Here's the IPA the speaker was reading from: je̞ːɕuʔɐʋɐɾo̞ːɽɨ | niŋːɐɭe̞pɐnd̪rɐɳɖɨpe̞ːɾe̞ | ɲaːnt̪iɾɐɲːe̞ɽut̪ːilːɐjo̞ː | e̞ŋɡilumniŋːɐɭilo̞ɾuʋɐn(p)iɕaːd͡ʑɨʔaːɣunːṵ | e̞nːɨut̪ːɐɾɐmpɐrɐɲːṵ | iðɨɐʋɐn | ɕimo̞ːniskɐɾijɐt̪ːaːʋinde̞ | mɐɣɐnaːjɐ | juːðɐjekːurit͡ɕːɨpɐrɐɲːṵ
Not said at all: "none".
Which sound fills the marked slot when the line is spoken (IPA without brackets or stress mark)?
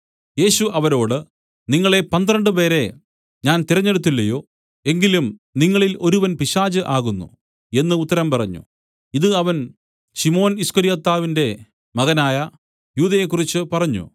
p